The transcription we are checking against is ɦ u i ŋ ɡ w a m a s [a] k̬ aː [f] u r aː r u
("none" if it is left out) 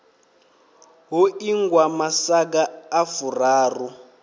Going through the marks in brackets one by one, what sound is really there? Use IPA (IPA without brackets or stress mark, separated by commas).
a, f